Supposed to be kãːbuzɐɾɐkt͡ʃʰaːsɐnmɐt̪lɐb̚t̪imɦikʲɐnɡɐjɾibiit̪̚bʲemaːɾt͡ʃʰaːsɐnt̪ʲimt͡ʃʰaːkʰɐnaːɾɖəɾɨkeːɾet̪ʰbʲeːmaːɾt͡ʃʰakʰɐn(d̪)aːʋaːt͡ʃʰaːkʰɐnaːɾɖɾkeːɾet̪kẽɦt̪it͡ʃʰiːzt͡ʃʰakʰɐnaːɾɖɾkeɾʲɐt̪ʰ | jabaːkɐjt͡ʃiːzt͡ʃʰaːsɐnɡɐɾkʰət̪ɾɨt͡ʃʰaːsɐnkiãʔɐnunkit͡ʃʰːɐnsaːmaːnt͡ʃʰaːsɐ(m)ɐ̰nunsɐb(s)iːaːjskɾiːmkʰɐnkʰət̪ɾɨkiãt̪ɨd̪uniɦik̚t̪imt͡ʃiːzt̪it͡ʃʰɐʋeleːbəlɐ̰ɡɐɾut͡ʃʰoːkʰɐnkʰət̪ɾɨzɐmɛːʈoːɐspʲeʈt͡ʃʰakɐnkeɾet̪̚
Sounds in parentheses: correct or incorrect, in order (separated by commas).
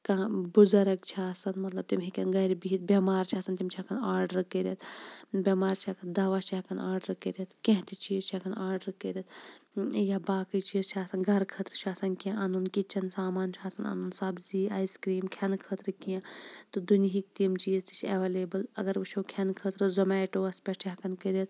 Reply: correct, incorrect, incorrect